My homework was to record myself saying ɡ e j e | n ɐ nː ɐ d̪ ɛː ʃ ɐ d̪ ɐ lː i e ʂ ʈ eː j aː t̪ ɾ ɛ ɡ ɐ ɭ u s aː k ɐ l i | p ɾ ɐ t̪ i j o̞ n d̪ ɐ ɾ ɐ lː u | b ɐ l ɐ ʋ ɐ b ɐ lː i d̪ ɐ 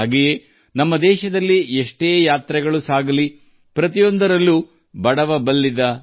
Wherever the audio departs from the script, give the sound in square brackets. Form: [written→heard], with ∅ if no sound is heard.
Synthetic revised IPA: ɡ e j e | n ɐ [nː→mː] ɐ d̪ ɛː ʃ ɐ d̪ ɐ lː i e ʂ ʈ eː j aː t̪ ɾ ɛ ɡ ɐ ɭ u s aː [k→ɡ] ɐ l i | p ɾ ɐ t̪ i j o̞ n d̪ ɐ ɾ ɐ lː u | b ɐ [l→ɽ] ɐ ʋ ɐ b ɐ lː i d̪ ɐ